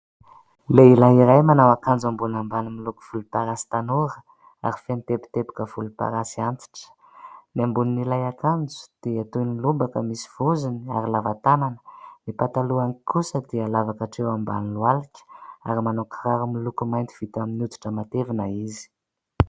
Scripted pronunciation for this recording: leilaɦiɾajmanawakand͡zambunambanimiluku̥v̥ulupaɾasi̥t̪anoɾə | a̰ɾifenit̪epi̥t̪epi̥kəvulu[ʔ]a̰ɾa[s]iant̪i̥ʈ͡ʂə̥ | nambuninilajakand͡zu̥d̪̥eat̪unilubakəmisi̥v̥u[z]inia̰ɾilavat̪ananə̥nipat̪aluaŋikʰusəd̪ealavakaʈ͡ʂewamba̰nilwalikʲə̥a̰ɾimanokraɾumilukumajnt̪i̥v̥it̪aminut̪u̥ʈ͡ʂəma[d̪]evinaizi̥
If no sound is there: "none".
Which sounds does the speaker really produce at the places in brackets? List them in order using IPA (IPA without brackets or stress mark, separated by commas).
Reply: p, s, z, t̪